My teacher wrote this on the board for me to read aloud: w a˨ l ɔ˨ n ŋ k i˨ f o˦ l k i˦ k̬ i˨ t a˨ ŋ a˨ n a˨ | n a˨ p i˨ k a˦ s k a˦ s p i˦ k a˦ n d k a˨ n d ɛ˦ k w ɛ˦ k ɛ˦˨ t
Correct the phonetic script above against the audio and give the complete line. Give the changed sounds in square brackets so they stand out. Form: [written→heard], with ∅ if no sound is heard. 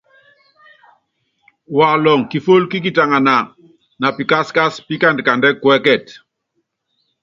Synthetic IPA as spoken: w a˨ l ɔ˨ [n→∅] ŋ k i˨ f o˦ l k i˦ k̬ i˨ t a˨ ŋ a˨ n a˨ | n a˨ p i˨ k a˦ s k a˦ s p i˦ k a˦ n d k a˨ n d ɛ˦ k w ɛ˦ k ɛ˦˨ t